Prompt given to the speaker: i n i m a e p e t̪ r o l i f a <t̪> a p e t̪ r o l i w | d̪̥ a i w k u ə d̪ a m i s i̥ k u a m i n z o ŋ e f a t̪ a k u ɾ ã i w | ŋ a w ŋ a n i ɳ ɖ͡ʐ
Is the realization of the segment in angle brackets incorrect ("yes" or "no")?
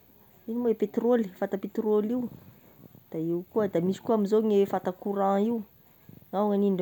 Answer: no